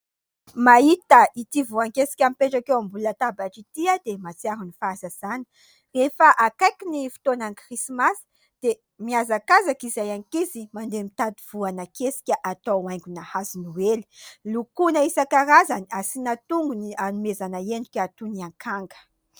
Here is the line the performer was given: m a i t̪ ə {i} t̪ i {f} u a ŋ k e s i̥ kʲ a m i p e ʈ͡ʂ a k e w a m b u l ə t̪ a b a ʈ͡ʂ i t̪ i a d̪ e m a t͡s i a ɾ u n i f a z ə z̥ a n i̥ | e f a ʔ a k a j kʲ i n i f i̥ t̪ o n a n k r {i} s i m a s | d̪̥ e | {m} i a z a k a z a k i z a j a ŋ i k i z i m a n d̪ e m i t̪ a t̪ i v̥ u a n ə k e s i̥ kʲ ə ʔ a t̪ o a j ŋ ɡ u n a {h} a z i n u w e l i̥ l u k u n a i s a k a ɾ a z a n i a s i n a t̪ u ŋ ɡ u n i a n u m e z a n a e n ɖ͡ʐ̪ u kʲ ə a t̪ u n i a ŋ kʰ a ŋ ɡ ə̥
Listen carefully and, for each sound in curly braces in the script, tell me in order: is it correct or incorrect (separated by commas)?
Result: correct, incorrect, correct, correct, correct